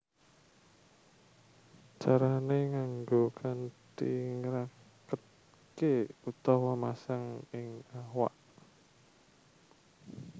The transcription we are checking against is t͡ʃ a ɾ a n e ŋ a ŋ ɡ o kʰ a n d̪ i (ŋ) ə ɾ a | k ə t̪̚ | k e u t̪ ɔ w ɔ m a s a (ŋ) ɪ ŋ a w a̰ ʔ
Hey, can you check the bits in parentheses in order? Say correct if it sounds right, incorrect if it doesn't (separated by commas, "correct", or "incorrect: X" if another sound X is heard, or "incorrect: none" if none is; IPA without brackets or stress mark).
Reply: correct, correct